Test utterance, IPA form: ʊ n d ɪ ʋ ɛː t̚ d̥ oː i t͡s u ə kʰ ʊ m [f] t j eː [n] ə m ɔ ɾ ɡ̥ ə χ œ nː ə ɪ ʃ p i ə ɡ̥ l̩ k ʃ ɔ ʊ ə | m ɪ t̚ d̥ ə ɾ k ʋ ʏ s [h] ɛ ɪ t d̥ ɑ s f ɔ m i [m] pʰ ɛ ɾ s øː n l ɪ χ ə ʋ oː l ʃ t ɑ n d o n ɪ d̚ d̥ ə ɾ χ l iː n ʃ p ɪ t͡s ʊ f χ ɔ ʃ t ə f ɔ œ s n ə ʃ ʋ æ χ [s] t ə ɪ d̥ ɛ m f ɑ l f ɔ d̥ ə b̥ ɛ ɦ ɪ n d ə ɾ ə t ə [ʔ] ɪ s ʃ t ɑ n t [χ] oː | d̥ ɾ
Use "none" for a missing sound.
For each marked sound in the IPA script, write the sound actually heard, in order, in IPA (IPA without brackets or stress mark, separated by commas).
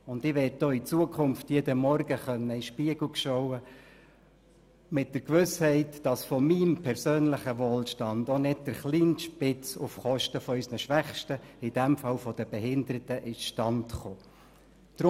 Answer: f, d, h, m, ʃ, ʔ, χ